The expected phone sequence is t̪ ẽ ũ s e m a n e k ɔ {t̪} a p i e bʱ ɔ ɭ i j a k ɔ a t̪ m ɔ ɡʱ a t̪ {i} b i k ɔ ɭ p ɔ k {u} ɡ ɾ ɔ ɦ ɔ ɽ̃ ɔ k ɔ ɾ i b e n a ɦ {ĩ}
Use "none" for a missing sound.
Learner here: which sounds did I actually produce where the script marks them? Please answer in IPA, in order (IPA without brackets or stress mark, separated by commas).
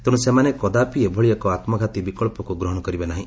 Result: d̪, i, u, ĩ